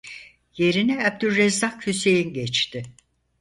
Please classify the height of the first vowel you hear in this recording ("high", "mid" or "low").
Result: mid